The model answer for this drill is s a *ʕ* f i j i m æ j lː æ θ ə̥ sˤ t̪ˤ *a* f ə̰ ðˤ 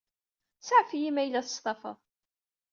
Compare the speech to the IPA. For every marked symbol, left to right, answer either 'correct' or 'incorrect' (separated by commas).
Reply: correct, incorrect